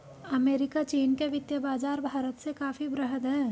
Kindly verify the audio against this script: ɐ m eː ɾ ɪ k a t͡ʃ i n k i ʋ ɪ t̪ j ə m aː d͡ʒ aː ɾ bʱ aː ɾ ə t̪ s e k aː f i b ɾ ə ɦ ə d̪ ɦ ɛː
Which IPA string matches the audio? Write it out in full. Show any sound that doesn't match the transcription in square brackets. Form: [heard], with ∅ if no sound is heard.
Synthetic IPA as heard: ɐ m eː ɾ ɪ k a t͡ʃ [iː] n k [e] ʋ ɪ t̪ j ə [b] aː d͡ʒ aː ɾ bʱ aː ɾ ə t̪ s e k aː f i b ɾ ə ɦ ə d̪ ɦ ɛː